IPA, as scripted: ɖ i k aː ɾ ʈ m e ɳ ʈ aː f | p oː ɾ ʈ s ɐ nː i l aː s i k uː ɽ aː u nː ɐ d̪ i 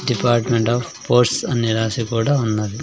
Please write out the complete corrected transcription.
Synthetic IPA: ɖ i p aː ɾ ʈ m e ɳ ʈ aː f | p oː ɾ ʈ s ɐ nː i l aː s i k uː ɽ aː u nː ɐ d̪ i